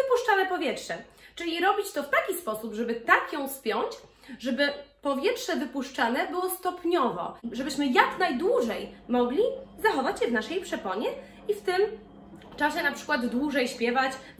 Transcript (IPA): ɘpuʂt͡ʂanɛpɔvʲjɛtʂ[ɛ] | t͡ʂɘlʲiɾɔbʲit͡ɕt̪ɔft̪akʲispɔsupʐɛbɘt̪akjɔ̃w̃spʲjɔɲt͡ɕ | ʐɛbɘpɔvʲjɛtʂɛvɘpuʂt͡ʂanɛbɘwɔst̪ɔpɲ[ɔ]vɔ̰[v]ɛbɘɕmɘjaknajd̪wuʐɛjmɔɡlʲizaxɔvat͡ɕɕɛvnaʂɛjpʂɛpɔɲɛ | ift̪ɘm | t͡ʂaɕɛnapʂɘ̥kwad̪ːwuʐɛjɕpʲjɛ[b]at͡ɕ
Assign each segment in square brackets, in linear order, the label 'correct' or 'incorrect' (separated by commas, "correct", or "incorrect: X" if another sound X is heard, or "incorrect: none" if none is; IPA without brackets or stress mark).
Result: correct, correct, incorrect: ʐ, incorrect: v